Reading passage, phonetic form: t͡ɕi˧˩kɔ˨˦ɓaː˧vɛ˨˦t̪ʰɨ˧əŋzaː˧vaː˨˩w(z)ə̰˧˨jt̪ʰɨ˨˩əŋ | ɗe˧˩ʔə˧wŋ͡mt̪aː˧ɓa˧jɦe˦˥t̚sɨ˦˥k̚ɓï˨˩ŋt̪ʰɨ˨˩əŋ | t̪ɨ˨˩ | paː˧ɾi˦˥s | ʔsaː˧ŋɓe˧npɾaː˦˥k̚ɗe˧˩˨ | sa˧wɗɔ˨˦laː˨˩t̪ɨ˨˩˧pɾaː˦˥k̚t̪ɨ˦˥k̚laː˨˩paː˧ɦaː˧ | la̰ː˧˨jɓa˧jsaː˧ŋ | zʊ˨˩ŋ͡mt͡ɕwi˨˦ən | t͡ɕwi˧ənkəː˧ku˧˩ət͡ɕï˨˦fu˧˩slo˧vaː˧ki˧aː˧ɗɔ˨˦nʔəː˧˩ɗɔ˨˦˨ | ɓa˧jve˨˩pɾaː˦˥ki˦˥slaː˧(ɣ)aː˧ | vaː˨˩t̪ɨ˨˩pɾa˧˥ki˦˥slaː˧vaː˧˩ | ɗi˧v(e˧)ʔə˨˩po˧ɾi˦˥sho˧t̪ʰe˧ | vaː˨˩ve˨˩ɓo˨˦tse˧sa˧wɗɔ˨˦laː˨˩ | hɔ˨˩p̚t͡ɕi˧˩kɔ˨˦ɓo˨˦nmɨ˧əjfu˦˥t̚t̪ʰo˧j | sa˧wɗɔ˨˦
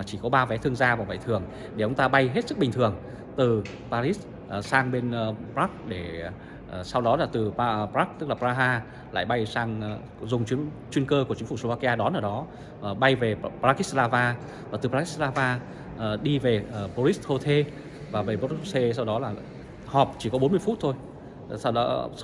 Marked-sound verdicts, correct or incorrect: incorrect: v, incorrect: v, incorrect: e˨˩

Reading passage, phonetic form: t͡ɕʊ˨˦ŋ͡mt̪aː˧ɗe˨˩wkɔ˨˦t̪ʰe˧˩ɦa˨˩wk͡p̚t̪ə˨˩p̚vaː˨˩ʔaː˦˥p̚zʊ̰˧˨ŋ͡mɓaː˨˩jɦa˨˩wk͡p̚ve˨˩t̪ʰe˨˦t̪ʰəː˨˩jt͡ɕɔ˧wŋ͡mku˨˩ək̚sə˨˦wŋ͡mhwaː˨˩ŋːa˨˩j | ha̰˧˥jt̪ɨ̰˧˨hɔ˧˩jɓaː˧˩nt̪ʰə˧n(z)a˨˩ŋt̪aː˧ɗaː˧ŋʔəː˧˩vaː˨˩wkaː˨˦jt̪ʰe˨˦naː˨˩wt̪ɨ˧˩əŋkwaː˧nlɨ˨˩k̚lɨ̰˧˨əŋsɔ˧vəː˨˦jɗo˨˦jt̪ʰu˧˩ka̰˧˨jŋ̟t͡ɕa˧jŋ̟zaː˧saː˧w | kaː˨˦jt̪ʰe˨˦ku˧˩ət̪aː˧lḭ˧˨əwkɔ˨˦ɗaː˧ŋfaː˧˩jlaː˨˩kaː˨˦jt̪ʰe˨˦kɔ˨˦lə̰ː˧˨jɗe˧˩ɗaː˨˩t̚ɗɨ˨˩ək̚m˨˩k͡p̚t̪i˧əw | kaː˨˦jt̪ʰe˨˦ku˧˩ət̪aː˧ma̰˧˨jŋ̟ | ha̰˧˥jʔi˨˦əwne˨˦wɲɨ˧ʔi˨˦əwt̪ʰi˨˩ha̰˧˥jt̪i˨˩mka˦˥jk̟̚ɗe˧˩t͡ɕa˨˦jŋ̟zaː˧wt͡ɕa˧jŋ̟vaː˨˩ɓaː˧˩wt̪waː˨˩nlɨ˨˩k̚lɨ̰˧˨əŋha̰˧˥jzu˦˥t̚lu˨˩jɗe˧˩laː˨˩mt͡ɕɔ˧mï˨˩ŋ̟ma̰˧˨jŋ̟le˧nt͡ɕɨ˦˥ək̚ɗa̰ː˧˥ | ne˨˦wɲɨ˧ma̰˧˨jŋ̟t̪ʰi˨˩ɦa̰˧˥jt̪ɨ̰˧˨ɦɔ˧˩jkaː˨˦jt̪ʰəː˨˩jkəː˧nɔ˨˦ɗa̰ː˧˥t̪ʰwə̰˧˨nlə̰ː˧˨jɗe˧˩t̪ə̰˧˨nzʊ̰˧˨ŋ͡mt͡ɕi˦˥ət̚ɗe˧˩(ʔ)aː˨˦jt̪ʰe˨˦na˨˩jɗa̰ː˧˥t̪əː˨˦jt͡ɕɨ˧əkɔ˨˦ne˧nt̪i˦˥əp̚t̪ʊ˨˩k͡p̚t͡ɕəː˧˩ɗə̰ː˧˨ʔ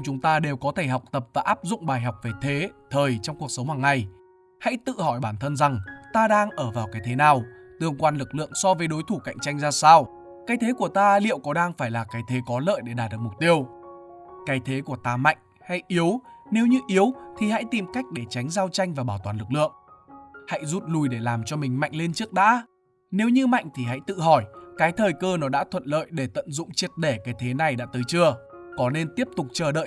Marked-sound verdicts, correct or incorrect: correct, incorrect: k

